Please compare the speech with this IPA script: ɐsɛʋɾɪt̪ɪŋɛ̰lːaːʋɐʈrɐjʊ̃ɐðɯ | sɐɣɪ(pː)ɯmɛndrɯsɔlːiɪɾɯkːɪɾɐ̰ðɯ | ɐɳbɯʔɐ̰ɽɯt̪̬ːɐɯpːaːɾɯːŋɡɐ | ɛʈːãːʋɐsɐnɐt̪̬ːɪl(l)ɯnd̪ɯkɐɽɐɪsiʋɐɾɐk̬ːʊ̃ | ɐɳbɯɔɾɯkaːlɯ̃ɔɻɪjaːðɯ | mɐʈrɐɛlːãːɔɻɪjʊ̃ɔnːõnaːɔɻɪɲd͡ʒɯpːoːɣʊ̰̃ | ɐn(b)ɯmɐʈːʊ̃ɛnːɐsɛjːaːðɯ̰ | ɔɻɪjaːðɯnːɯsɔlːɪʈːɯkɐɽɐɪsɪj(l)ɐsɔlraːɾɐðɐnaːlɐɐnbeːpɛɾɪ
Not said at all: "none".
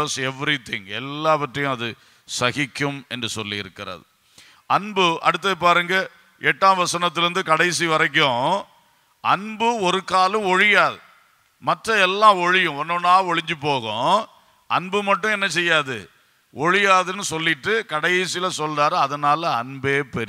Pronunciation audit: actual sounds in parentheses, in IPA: kː, ɾ, b, l

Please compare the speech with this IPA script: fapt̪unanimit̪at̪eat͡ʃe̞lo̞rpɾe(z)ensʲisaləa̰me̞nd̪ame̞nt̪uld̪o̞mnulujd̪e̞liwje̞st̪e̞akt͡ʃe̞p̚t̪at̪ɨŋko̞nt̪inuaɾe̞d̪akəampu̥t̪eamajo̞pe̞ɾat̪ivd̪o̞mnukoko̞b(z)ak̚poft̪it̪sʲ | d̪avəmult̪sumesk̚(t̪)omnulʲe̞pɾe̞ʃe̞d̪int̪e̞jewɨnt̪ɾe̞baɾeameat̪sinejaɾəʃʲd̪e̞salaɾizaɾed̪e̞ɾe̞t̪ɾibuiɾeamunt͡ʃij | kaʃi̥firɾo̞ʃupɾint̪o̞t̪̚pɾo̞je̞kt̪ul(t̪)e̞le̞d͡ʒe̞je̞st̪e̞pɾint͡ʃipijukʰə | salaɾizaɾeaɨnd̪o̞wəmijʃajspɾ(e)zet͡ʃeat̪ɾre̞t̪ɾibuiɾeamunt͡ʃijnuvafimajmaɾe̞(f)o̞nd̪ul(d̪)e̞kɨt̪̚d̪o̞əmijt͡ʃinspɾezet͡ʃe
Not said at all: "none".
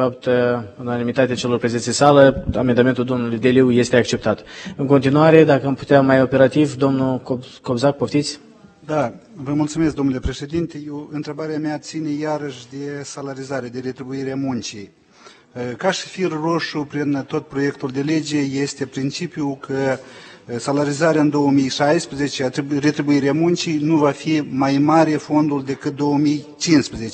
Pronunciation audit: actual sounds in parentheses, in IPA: z, z, d̪, d̪, e, f, d̪

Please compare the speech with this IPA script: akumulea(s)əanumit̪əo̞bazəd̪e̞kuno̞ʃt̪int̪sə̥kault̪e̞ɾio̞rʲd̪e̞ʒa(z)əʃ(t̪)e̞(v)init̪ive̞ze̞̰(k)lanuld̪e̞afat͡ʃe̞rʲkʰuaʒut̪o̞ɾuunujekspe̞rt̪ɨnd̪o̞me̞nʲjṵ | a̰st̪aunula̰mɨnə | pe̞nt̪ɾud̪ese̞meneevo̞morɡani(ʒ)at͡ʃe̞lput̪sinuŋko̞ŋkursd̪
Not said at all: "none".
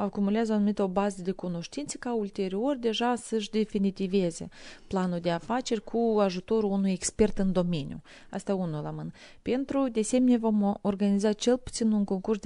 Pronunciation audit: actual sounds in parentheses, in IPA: z, s, d̪, f, p, z

